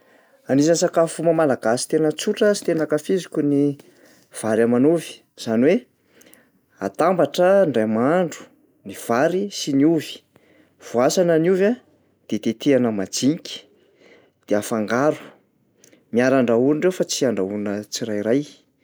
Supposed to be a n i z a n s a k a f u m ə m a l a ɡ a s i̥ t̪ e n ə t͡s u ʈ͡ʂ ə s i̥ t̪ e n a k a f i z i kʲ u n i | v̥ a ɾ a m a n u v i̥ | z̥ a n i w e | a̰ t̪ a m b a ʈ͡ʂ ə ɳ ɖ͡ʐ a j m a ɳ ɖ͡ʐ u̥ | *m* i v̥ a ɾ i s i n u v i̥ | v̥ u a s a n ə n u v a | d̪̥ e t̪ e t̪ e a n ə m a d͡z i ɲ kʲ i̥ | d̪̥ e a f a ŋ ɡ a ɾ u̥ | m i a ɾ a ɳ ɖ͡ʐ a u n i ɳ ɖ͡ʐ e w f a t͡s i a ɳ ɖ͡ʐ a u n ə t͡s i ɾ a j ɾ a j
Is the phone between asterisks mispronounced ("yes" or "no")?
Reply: yes